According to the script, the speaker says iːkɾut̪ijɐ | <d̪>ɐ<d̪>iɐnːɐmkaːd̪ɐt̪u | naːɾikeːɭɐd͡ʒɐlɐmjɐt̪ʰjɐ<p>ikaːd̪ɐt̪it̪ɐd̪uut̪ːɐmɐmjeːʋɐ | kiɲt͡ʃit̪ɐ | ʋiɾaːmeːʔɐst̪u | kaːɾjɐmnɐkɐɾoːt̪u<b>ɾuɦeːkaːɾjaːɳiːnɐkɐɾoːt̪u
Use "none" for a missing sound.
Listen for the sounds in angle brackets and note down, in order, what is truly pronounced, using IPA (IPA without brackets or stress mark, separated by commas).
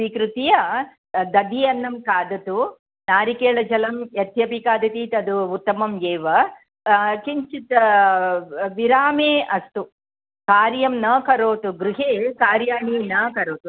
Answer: d̪, d̪, p, ɡ